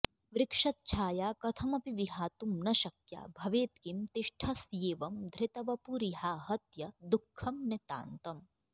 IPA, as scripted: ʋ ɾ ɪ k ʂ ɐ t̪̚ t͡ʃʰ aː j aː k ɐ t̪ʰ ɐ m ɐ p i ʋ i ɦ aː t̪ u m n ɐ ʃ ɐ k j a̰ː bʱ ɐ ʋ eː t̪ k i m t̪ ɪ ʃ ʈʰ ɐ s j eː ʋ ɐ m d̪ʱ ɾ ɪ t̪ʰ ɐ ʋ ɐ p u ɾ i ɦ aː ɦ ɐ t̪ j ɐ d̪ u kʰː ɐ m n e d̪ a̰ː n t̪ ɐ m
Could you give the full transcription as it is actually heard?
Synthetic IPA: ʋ ɾ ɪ k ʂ ɐ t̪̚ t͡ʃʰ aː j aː k ɐ t̪ʰ ɐ m ɐ p i ʋ i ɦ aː t̪ u m n ɐ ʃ ɐ k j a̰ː bʱ ɐ ʋ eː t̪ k i m t̪ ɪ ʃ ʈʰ ɐ s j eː ʋ ɐ m d̪ʱ ɾ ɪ t̪ ɐ ʋ ɐ p u ɾ i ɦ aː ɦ ɐ t̪ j ɐ d̪ u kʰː ɐ m n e t̪ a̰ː n t̪ ɐ m